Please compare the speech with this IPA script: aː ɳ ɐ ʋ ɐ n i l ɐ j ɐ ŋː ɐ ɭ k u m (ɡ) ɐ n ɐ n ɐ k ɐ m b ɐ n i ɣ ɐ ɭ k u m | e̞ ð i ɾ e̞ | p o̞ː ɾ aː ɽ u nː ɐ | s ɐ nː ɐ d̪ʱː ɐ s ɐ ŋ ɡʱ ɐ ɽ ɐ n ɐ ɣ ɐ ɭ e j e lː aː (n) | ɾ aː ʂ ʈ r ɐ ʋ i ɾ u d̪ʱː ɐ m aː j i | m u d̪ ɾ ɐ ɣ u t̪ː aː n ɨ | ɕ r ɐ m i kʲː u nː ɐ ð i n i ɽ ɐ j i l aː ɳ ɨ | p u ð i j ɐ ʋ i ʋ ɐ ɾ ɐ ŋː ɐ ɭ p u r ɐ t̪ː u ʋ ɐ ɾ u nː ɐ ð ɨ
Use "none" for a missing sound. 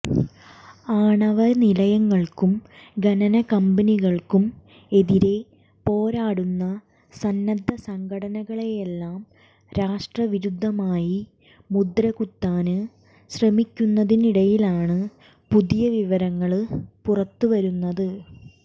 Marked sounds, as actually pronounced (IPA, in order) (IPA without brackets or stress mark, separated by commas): ɡ, m